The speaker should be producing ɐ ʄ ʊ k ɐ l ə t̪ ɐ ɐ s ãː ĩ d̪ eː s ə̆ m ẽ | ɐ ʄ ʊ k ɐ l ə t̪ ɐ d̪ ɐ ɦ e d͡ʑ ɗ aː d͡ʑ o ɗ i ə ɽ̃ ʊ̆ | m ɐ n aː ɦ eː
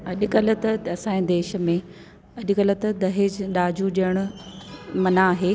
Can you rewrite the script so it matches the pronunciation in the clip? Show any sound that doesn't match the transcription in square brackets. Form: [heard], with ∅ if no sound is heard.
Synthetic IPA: ɐ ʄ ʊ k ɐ l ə t̪ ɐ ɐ s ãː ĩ d̪ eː [ʃ] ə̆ m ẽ | ɐ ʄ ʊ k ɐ l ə t̪ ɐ d̪ ɐ ɦ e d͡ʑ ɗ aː d͡ʑ [u] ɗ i ə ɽ̃ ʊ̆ | m ɐ n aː ɦ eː